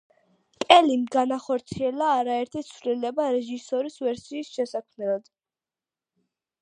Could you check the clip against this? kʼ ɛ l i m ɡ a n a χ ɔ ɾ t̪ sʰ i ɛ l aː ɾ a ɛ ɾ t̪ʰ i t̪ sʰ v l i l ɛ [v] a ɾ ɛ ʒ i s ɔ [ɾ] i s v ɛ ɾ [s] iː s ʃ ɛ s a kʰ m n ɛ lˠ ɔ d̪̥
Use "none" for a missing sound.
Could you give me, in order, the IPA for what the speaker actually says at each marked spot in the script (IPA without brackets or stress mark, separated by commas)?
b, ɾ, s